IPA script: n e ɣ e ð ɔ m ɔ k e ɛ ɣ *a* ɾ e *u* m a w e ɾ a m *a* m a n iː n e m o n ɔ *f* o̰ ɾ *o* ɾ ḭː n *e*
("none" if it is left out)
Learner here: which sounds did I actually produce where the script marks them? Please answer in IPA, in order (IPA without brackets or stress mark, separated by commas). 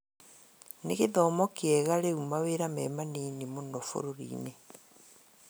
a, u, ɛ, f, o, e